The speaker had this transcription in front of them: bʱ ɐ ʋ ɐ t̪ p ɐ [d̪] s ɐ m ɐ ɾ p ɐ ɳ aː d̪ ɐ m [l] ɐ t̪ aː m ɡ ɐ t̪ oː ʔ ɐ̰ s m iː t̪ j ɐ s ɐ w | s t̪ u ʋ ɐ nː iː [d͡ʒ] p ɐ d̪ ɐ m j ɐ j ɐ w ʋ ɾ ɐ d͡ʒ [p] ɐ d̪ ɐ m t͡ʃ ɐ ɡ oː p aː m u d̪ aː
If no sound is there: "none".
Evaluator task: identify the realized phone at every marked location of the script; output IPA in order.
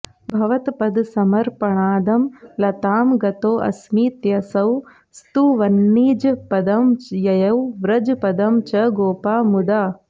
d̪, l, d͡ʒ, p

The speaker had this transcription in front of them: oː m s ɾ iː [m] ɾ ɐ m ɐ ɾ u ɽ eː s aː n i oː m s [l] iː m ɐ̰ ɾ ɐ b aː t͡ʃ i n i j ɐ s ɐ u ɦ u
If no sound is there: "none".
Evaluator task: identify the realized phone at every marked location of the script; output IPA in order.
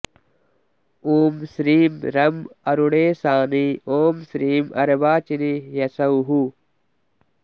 m, ɾ

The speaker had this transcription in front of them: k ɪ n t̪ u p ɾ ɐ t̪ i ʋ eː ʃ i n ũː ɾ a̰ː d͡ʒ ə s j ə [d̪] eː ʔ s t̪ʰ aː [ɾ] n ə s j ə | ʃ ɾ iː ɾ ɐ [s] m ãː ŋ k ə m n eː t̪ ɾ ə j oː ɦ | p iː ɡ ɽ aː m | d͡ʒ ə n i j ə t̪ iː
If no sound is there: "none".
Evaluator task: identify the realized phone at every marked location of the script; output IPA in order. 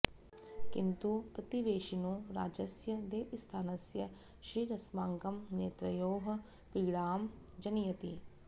d̪, none, s

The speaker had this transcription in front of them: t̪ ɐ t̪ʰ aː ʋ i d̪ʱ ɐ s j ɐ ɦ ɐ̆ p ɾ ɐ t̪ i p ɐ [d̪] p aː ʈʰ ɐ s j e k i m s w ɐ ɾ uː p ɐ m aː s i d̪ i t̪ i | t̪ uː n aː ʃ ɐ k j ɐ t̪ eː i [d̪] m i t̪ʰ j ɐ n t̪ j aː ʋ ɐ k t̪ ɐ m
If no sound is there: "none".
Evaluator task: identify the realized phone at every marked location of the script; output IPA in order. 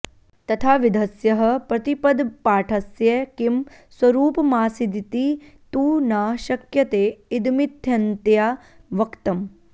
d̪, d̪

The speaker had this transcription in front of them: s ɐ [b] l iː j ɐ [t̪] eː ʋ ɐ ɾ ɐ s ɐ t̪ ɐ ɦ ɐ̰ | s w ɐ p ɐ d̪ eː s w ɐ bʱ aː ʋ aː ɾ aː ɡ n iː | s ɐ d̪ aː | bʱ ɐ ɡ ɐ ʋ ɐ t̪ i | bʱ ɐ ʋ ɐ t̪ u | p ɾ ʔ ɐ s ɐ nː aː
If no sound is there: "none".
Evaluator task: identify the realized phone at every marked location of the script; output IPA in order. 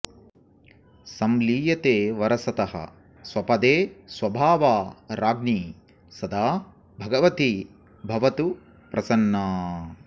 m, t̪

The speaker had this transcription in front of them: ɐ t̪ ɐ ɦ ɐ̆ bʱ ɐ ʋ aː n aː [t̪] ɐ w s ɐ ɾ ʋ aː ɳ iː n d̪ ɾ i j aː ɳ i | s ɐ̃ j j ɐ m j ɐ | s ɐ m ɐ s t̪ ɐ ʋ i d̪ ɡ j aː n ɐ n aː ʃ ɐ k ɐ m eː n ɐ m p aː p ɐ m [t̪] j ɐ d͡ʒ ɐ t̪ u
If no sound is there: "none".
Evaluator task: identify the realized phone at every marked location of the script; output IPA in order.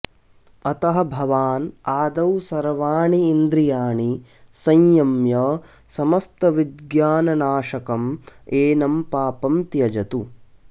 d̪, t̪

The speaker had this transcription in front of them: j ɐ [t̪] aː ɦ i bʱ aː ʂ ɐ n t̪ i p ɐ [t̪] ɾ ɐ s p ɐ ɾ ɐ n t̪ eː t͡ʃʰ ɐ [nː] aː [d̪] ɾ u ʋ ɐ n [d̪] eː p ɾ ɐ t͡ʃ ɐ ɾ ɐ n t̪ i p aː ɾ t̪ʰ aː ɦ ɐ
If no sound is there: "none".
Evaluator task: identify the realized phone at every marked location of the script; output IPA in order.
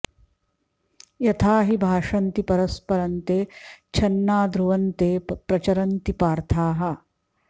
t̪ʰ, none, nː, d̪, t̪

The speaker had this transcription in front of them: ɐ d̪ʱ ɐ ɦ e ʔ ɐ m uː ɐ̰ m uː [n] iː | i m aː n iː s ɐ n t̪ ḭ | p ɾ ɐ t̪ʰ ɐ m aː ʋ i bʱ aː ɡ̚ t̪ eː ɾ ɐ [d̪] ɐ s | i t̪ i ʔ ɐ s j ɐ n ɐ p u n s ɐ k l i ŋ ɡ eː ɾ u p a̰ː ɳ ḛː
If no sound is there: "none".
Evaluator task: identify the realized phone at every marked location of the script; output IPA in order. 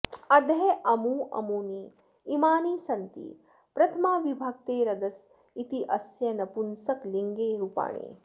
n, d̪

